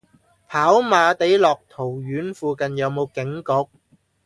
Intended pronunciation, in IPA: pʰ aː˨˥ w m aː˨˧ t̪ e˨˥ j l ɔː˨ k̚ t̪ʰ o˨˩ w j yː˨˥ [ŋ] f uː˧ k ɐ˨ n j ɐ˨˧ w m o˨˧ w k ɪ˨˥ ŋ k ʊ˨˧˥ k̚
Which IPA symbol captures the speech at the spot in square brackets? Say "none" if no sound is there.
n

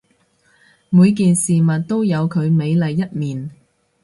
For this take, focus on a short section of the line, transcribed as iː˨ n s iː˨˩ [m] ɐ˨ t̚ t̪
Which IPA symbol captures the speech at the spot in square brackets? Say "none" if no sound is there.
m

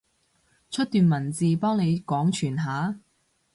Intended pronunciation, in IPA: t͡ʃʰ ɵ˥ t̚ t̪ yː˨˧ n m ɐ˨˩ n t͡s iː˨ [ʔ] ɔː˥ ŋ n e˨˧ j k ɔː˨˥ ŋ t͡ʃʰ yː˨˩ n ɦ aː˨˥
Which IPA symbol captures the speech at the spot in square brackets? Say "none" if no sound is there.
p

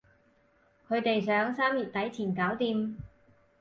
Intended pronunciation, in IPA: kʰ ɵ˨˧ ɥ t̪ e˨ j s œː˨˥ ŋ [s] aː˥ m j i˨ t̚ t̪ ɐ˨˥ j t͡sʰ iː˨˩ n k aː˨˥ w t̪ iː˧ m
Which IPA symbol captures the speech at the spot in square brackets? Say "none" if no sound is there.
s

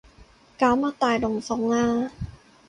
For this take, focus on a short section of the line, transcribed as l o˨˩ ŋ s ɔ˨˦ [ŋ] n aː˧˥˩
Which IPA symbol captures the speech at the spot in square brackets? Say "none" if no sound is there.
ŋ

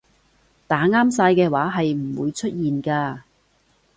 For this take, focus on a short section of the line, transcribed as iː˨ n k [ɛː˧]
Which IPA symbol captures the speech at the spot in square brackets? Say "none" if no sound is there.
aː˧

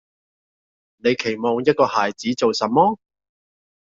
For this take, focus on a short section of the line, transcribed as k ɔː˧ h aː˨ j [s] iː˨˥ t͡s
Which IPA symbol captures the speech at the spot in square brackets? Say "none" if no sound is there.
t͡s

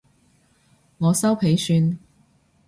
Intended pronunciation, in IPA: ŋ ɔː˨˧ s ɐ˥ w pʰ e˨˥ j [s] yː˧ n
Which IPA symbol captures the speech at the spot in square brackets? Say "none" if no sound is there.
s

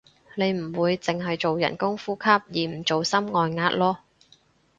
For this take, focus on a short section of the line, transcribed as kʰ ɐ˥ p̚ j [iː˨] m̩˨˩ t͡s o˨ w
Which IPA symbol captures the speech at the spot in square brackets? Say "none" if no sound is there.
iː˨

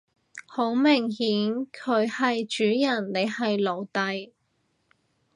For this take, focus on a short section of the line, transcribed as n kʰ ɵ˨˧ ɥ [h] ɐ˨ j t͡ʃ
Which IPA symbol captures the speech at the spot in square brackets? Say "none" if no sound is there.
h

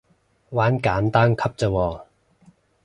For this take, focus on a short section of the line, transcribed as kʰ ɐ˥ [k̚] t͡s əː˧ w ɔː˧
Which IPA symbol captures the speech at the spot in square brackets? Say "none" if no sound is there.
p̚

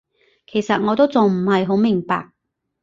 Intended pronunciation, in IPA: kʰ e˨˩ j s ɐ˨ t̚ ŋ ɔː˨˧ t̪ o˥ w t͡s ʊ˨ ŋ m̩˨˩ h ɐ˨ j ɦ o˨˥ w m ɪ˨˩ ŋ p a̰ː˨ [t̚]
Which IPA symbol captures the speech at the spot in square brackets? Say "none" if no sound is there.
k̚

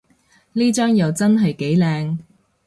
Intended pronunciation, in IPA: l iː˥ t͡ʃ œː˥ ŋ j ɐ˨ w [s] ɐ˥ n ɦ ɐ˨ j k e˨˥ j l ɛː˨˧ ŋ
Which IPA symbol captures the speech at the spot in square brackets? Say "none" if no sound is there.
t͡s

